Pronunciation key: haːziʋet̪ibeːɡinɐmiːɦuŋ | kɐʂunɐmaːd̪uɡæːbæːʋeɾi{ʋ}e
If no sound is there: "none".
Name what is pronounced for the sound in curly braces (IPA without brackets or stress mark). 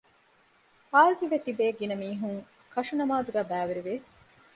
ʋ